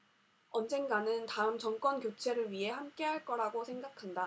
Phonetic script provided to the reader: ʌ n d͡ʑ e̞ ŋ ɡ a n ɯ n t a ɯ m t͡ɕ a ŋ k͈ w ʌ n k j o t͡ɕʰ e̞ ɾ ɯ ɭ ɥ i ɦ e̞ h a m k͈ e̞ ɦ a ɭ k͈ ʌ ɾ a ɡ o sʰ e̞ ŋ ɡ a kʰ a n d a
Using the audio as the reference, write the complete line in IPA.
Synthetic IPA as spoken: ʌ n d͡ʑ e̞ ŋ ɡ a n ɯ n t a ɯ m t͡ɕ ʌ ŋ k͈ w ʌ n k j o t͡ɕʰ e̞ ɾ ɯ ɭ ɥ i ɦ e̞ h a m k͈ e̞ ɦ a ɭ k͈ ʌ ɾ a ɡ o sʰ e̞ ŋ ɡ a kʰ a n d a

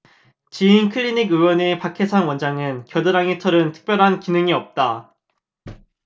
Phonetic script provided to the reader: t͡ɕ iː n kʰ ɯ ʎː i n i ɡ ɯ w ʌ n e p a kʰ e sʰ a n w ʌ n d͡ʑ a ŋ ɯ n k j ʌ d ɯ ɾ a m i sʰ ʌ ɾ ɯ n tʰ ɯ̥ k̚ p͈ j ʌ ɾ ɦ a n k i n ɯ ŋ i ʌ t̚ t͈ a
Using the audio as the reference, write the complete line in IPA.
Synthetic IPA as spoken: t͡ɕ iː n kʰ ɯ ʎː i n i ɡ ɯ w ʌ n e p a kʰ e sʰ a n w ʌ n d͡ʑ a ŋ ɯ n k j ʌ d ɯ ɾ a ŋ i tʰ ʌ ɾ ɯ n tʰ ɯ̥ k̚ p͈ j ʌ ɾ ɦ a n k i n ɯ ŋ i ʌ p̚ t͈ a

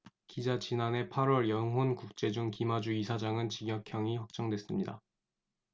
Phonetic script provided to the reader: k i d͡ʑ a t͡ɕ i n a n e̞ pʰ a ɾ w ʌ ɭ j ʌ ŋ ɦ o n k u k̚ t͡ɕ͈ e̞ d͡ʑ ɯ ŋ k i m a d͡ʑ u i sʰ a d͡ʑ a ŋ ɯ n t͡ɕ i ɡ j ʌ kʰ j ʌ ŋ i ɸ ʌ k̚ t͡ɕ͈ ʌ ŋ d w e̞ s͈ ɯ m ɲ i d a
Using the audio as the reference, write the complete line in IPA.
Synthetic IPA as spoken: k i d͡ʑ a t͡ɕ i n a n e̞ pʰ a ɾ w ʌ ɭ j ʌ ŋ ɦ o n k u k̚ t͡ɕ͈ e̞ d͡ʑ u ŋ k i m a d͡ʑ u i sʰ a d͡ʑ a ŋ ɯ n t͡ɕ i ɡ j ʌ kʰ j ʌ ŋ i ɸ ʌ k̚ t͡ɕ͈ ʌ ŋ d w e̞ s͈ ɯ m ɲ i d a

